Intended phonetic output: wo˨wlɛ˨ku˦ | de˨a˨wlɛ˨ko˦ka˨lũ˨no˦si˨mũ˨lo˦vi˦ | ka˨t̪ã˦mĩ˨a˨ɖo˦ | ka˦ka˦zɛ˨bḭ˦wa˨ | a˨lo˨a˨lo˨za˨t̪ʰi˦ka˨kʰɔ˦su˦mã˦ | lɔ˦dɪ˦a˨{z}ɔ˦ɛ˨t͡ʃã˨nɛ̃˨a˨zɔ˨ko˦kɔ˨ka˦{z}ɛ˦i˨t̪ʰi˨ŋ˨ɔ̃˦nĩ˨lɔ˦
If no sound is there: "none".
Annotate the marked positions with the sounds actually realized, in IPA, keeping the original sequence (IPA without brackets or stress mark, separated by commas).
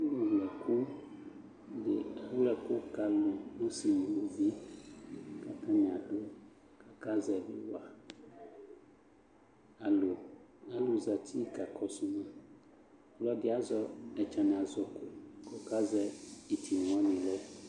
z, z